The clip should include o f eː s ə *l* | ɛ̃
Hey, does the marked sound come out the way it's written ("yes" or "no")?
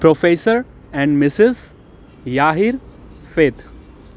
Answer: no